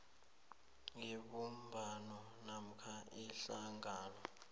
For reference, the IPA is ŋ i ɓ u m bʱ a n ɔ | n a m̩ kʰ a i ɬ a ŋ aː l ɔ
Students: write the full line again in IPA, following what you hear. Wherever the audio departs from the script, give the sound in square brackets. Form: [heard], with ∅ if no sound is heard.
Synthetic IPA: ŋ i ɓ u m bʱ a n ɔ | n a m̩ kʰ a i ɬ a ŋ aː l ɔ

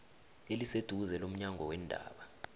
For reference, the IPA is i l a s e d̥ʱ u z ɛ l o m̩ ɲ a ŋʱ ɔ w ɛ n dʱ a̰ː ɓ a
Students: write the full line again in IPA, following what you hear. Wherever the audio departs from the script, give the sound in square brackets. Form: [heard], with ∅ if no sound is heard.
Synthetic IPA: [e] l [i] s e d̥ʱ u z ɛ l o m̩ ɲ a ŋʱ ɔ w ɛ n dʱ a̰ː ɓ a

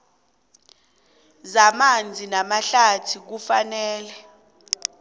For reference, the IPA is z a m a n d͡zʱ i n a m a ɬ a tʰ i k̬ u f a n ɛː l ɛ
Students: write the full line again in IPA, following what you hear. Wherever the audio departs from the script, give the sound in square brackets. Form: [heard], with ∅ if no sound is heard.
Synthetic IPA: z a m a n d͡zʱ i n a m a ɬ a tʰ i k̬ u f a n ɛː l ɛ

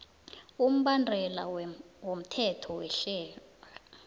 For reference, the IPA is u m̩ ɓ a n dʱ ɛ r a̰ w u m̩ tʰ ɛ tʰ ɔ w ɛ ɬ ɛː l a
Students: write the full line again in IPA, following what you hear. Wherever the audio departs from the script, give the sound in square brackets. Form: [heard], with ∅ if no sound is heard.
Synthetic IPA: u m̩ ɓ a n dʱ ɛ [l] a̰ w [o] m̩ tʰ ɛ tʰ ɔ w ɛ ɬ ɛː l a

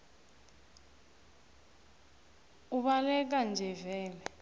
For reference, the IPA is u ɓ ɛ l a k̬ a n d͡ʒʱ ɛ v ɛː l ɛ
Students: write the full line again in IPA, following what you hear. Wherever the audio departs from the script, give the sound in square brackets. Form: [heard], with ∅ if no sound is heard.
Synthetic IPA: u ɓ [a] l [ɛ] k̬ a n d͡ʒʱ ɛ v ɛː l ɛ

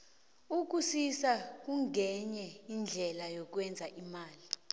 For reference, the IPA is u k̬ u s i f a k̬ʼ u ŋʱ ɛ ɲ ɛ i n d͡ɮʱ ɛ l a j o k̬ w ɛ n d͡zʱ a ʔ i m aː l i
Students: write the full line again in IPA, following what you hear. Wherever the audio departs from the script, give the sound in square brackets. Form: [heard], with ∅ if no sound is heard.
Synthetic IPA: u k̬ u s i [s] a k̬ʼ u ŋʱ ɛ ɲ ɛ i n d͡ɮʱ ɛ l a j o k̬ w ɛ n d͡zʱ a ʔ i m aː l i

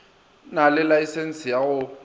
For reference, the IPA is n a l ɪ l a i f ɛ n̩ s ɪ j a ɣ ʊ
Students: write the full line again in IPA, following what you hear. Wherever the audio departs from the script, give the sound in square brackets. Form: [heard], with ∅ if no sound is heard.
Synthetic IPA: n a l ɪ l a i [s] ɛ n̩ s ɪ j a ɣ ʊ

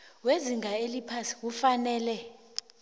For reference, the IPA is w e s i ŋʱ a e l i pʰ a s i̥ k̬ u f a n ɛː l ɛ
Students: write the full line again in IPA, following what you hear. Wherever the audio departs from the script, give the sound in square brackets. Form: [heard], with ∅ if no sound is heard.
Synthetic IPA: w e [z] i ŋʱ a e l i pʰ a s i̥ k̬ u f a n ɛː l ɛ

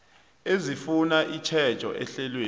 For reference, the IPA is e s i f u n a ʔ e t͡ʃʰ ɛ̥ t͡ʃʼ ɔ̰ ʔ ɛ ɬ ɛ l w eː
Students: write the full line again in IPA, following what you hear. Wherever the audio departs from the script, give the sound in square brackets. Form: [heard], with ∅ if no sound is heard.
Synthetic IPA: e [z] i f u n a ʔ [i] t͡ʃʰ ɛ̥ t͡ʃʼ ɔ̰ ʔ ɛ ɬ ɛ l w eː

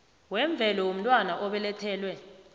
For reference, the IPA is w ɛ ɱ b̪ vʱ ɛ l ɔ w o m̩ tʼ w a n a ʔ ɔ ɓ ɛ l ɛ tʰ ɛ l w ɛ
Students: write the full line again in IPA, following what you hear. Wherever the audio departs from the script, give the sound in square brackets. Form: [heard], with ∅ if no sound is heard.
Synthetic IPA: w ɛ ɱ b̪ vʱ ɛ l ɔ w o m̩ tʼ w a n a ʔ ɔ ɓ ɛ l ɛ tʰ [ɛː] l w ɛ

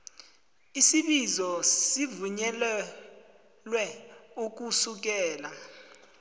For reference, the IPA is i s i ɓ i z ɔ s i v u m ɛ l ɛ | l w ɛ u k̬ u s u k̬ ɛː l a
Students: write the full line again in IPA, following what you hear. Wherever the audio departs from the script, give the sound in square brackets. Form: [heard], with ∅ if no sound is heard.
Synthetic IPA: i s i ɓ i z ɔ s i v u [ɲ] ɛ l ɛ | l w ɛ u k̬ u s u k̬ ɛː l a

